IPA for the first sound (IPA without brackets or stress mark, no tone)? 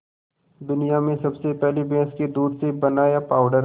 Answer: d̪